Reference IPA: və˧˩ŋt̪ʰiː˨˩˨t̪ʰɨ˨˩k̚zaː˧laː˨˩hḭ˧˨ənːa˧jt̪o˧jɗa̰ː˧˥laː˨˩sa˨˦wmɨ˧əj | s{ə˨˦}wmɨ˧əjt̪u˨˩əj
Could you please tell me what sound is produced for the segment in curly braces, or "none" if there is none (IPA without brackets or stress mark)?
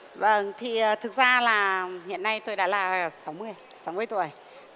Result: a˨˦